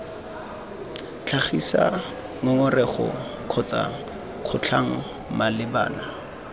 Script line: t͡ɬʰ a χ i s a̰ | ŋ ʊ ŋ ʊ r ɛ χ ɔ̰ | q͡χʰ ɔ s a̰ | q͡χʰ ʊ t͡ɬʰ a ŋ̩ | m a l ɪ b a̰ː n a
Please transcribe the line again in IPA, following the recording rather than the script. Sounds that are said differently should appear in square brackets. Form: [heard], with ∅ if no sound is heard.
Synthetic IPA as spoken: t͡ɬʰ a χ i s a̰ | ŋ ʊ ŋ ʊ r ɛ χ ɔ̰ | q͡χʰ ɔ [t͡s] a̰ | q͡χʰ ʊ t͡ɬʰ a ŋ̩ | m a l ɪ b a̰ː n a